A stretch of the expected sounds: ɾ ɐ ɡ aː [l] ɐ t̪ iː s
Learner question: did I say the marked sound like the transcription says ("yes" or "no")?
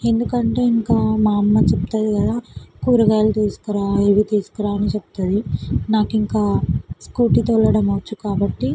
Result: yes